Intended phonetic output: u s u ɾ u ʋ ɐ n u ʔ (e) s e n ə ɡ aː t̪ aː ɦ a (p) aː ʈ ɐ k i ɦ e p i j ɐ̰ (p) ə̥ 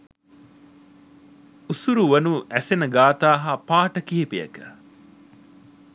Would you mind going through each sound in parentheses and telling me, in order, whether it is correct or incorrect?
incorrect, correct, incorrect

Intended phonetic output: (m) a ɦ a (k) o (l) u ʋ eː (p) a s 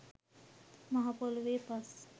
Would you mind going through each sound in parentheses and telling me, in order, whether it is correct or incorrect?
correct, incorrect, correct, correct

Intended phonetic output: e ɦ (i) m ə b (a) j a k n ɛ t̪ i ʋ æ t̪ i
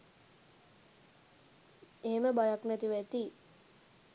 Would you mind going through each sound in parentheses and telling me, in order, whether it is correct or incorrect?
incorrect, correct

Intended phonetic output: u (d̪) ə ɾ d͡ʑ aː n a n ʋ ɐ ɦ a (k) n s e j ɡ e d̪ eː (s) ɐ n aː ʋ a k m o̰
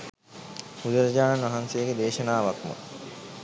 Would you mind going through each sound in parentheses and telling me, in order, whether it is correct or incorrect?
correct, incorrect, incorrect

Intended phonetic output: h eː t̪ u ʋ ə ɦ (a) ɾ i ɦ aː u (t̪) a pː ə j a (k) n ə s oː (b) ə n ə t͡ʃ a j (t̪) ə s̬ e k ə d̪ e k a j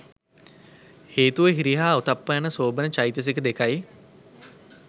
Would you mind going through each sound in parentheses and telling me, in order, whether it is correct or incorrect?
incorrect, correct, incorrect, correct, correct

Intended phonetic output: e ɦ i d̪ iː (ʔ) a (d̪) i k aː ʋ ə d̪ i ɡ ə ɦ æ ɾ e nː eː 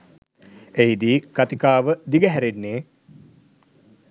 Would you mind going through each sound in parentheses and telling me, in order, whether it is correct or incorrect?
incorrect, incorrect

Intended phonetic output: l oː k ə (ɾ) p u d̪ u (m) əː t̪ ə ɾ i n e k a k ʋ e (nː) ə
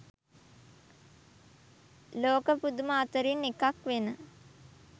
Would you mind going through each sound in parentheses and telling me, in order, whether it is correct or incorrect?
incorrect, correct, incorrect

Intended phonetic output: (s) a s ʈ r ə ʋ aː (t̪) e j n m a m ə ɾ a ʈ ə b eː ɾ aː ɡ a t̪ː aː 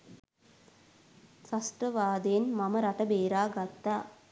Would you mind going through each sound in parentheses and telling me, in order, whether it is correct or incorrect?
correct, incorrect

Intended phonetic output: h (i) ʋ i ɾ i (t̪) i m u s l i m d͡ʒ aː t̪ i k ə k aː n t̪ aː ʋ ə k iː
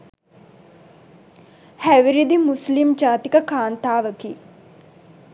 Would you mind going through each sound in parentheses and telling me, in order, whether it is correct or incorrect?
incorrect, incorrect

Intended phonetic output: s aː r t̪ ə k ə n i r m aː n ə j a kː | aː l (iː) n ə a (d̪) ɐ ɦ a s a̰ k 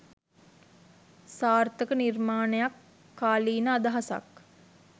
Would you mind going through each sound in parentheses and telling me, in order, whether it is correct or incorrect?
correct, correct

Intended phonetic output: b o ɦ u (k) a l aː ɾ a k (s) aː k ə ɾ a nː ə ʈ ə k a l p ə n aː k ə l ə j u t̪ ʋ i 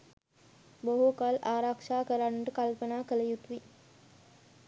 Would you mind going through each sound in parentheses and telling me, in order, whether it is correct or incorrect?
correct, incorrect

